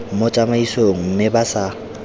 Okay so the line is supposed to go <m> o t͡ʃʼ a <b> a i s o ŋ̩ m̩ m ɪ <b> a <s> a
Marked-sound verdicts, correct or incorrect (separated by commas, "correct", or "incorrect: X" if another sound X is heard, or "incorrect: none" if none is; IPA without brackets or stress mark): correct, incorrect: m, correct, correct